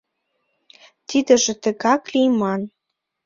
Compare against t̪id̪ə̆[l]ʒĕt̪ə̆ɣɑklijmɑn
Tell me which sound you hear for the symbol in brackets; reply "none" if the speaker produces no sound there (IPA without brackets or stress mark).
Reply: none